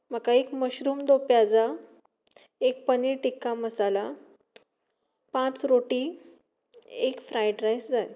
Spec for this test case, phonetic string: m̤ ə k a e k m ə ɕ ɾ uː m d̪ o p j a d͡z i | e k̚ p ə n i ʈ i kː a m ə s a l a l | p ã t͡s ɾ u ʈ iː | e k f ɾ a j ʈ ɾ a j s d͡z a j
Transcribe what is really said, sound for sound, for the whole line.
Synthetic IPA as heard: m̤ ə k a e k m ə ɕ ɾ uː m d̪ o p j a d͡z a | e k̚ p ə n i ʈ i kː a m ə s a l a | p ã t͡s ɾ o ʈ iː | e k f ɾ a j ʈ ɾ a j s d͡z a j

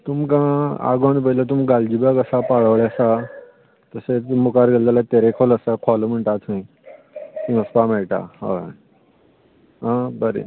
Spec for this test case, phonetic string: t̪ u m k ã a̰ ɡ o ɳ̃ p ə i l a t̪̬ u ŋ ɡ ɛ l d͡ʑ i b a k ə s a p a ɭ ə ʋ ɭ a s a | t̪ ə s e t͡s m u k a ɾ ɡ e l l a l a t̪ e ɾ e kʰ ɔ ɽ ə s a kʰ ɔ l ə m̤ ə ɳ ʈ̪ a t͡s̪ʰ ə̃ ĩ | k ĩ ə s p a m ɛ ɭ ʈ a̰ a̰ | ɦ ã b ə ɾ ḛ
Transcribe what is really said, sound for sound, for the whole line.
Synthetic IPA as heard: t̪ u m k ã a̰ ɡ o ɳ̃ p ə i l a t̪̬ u m ɡ a l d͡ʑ i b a k ə s a p a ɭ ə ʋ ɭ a s a | t̪ ə s e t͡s m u k a ɾ ɡ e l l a l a t̪ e ɾ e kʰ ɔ l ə s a kʰ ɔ l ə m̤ ə ɳ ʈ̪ a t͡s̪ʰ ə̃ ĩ | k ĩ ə s p a m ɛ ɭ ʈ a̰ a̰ | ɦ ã b ə ɾ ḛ

